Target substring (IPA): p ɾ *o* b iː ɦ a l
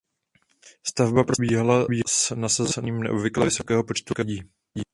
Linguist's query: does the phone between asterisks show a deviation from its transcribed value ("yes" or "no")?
no